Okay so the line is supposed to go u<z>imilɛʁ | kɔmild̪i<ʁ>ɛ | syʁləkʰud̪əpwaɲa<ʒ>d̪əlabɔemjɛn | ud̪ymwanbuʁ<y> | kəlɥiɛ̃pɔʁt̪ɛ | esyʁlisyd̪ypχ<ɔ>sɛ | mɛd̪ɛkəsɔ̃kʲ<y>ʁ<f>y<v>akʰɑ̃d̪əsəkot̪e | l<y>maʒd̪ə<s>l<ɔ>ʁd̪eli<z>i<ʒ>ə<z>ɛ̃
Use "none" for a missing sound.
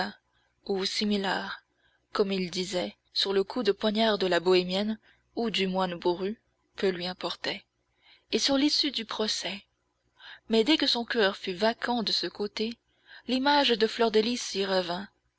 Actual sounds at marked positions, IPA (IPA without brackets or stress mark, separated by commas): s, z, ʁ, y, ɔ, œ, f, v, i, f, ɔ, s, ʁ, v